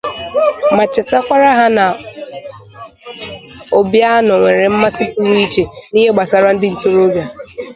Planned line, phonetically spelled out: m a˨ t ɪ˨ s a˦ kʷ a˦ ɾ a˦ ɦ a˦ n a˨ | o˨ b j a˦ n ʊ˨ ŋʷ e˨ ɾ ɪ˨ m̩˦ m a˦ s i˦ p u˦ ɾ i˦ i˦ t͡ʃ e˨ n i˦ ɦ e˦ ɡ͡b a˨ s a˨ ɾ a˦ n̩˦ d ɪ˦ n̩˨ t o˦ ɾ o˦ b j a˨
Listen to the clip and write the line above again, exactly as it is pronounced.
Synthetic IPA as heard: m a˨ t͡ʃ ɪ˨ t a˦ kʷ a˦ ɾ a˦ ɦ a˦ n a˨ | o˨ b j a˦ n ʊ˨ ŋʷ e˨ ɾ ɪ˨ m̩˦ m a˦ s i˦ p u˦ ɾ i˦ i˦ t͡ʃ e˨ n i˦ ɦ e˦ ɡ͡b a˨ s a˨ ɾ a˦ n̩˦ d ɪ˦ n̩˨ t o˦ ɾ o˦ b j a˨